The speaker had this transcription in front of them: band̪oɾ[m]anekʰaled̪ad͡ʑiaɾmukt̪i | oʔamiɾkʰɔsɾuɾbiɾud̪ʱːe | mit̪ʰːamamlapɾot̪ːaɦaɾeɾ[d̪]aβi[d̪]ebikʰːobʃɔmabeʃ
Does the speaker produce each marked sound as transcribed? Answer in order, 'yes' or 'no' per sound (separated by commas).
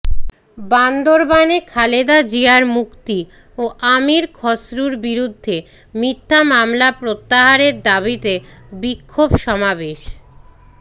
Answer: no, yes, no